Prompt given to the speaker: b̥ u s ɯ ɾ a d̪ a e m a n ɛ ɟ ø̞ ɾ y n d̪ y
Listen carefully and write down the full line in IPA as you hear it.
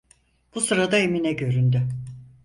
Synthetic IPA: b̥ u s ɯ ɾ a d̪ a e m i n ɛ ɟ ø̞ ɾ y n d̪ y